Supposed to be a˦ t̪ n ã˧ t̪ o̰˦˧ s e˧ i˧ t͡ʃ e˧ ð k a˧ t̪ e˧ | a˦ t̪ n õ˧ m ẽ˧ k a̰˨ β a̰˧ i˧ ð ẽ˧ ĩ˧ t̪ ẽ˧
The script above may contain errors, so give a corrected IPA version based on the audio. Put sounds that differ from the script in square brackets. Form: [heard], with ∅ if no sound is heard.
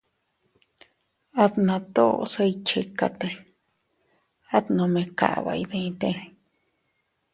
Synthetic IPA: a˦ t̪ n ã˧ t̪ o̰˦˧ s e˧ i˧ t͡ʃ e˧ [∅] k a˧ t̪ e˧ | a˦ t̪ n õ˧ m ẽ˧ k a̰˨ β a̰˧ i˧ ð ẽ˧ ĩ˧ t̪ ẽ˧

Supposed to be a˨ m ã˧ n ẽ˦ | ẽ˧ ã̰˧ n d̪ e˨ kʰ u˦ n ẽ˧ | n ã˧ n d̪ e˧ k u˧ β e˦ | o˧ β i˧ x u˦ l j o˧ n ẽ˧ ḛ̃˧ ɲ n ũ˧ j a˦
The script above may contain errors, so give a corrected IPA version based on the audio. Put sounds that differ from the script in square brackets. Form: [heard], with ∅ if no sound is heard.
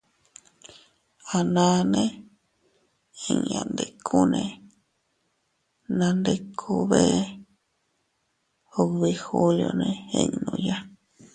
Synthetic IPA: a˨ [n] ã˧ n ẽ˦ | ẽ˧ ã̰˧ n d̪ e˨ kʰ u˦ n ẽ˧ | n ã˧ n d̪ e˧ [kʰ] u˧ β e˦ | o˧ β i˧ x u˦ l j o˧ n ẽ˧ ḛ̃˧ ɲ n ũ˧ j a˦

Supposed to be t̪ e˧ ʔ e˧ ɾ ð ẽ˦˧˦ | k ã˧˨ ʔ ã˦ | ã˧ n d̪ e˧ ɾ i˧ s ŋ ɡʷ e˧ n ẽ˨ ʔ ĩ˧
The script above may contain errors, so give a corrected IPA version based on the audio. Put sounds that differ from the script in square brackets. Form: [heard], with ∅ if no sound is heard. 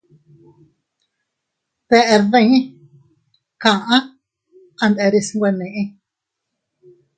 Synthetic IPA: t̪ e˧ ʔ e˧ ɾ ð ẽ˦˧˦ | k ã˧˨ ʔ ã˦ | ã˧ n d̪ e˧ ɾ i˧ s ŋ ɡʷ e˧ n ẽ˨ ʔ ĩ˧

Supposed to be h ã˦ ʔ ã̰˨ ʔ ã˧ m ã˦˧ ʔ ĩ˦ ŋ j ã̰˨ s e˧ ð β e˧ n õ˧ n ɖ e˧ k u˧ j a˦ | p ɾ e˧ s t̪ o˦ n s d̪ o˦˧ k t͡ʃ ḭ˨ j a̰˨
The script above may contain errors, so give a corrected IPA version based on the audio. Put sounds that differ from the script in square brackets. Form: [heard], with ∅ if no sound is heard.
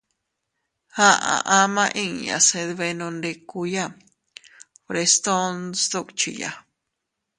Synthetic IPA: h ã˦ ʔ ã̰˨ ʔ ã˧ m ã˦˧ ʔ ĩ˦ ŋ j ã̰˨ s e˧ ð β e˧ n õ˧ n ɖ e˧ k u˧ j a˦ | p ɾ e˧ s t̪ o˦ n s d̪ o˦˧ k t͡ʃ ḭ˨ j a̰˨

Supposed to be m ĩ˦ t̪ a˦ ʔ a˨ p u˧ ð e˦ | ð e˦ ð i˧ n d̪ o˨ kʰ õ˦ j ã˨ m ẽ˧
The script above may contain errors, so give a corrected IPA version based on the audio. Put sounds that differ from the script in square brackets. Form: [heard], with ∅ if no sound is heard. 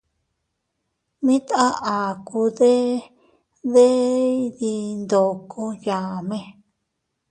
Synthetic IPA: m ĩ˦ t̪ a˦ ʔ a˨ [k] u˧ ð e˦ | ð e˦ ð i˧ n d̪ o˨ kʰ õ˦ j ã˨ m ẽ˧

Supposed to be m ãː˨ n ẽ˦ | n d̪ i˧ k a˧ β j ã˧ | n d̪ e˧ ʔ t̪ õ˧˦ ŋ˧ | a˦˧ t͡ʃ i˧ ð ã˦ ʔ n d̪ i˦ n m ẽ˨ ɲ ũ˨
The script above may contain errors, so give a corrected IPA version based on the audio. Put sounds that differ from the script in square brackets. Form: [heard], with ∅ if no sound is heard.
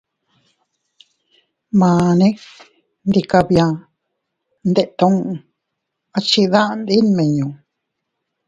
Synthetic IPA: m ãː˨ n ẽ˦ | n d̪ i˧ k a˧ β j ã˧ | n d̪ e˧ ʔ t̪ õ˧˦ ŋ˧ | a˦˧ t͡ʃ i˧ ð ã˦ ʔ n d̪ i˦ n m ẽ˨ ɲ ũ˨

